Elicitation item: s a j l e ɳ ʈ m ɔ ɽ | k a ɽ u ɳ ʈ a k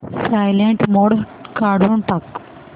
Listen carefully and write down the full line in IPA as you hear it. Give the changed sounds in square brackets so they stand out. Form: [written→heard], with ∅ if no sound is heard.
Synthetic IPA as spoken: s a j l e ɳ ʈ m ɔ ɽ | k a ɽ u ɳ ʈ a k